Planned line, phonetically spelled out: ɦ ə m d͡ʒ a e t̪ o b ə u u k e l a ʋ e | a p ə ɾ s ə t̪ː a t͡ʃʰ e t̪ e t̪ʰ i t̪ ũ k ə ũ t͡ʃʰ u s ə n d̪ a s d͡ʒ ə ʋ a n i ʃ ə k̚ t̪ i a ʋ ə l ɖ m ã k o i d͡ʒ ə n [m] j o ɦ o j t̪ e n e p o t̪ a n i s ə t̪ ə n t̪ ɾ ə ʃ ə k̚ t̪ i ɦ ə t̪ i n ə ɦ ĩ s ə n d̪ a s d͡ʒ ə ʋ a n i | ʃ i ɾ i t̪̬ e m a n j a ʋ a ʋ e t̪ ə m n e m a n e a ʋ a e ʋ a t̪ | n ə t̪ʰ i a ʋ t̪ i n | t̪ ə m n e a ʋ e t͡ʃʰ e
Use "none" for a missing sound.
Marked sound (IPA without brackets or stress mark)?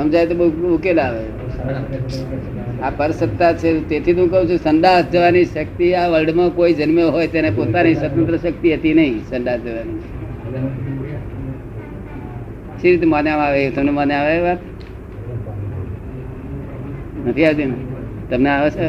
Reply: m